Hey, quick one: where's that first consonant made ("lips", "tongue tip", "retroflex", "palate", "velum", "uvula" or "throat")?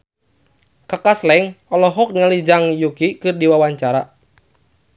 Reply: velum